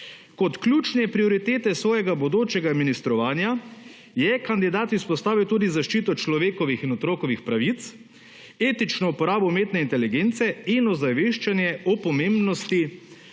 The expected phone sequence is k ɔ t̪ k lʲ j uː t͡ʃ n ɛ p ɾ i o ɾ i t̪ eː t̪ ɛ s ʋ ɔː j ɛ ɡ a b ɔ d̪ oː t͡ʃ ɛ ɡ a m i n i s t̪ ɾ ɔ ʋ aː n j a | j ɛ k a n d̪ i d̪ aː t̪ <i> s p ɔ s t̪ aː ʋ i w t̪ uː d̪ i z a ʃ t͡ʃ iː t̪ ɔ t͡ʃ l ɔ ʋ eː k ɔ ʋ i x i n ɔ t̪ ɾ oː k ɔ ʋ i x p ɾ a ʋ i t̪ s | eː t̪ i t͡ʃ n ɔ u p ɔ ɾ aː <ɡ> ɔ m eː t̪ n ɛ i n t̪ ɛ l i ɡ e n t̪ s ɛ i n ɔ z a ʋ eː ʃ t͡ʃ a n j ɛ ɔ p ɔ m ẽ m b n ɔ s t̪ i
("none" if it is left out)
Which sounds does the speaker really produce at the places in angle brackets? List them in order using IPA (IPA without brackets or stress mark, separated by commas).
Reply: i, b